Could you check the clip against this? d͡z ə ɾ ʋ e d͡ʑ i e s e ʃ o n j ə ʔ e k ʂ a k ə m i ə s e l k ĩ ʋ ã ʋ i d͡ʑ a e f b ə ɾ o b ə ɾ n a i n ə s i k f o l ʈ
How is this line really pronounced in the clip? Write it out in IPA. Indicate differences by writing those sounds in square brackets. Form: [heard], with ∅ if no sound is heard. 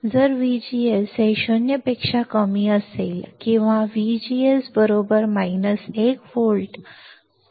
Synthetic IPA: d͡z ə ɾ ʋ [i] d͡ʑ i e s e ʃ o n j ə [p] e k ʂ a k ə m i ə s e l k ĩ ʋ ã ʋ i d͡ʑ [i] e [s] b ə ɾ o b ə ɾ [m] a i n ə s [e] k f o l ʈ

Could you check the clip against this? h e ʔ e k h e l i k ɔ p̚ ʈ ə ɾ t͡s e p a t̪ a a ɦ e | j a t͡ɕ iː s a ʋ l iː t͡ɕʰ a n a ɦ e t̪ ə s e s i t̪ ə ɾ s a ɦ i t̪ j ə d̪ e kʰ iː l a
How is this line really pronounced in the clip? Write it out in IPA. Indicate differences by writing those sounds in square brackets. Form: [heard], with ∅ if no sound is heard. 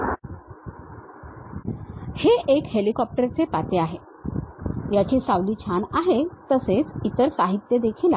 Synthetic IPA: h e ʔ e k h e l i k ɔ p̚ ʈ ə ɾ t͡s e p a t̪ [e] a ɦ e | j a t͡ɕ iː s a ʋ l iː t͡ɕʰ a n a ɦ e t̪ ə s e [t͡s] i t̪ ə ɾ s a ɦ i t̪ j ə d̪ e kʰ iː l a

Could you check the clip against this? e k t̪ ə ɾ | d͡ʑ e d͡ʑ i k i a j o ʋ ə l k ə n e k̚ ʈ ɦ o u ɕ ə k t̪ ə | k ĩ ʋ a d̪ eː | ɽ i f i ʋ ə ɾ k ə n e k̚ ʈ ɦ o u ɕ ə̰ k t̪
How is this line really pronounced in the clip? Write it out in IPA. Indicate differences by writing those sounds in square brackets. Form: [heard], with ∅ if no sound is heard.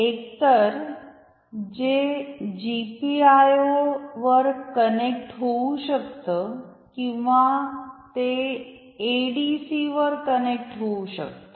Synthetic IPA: e k t̪ ə ɾ | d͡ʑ e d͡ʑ i [p] i a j o ʋ ə [ɾ] k ə n e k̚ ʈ ɦ o u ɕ ə k t̪ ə | k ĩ ʋ a [t̪] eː | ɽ i [s] i ʋ ə ɾ k ə n e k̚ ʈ ɦ o u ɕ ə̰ k t̪

